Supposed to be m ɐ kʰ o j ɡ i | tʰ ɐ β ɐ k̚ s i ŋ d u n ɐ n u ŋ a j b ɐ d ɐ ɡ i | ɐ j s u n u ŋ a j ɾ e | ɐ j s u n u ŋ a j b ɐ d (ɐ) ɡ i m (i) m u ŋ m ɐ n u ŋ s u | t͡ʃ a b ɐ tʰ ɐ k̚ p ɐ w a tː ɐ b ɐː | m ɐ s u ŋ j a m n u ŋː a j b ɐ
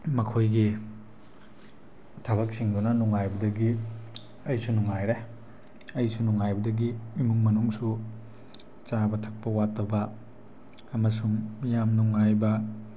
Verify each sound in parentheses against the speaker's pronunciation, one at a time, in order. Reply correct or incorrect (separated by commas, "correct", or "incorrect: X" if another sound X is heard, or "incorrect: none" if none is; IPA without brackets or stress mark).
correct, correct